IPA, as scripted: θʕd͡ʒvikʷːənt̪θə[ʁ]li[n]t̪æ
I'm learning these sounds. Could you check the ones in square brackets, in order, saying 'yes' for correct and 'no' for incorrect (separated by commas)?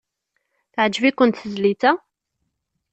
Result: no, no